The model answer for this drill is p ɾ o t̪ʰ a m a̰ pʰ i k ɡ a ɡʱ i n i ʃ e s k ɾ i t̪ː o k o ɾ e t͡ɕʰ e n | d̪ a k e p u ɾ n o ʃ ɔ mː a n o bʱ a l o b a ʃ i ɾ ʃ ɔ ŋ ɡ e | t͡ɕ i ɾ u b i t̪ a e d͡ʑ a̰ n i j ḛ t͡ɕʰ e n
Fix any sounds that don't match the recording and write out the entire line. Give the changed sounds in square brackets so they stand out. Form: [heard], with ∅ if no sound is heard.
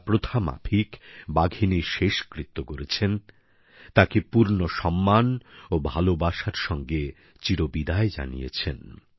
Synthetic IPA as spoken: p ɾ o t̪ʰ a m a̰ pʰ i k [b] a ɡʱ i n i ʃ e [ʃ] k ɾ i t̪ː o k o ɾ e t͡ɕʰ e n | [t̪] a k e p u ɾ n o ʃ ɔ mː a n o bʱ a l o b a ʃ [a] ɾ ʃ ɔ ŋ ɡ e | t͡ɕ i ɾ [o] b i [d̪] a e d͡ʑ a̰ n i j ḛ t͡ɕʰ e n

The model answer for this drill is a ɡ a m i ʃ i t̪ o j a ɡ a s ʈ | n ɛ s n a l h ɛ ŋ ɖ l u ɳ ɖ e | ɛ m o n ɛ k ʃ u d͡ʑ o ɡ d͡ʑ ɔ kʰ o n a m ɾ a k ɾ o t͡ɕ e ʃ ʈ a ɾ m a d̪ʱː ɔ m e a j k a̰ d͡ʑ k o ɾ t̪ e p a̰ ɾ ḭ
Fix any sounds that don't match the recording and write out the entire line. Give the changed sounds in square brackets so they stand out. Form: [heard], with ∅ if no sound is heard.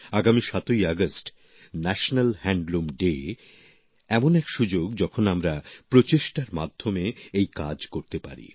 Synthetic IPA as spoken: a ɡ a m i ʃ [a] t̪ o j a ɡ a s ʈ | n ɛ [ʃ] n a l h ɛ [ɳ] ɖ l u [m] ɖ e | ɛ m o n ɛ k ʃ u d͡ʑ o ɡ d͡ʑ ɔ kʰ o n a m ɾ a [p] ɾ o t͡ɕ e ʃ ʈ a ɾ m a d̪ʱː [o] m e [e] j k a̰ d͡ʑ k o ɾ t̪ e p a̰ ɾ ḭ

